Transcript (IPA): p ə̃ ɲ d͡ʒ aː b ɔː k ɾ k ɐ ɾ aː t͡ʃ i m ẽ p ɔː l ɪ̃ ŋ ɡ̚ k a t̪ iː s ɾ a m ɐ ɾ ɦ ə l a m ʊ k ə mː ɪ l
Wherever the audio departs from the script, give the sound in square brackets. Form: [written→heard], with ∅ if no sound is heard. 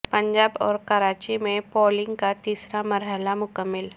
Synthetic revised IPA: p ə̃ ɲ d͡ʒ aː b ɔː [k→∅] ɾ k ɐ ɾ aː t͡ʃ i m ẽ p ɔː l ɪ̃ ŋ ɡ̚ k a t̪ iː s ɾ a m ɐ ɾ ɦ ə l a m ʊ k ə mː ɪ l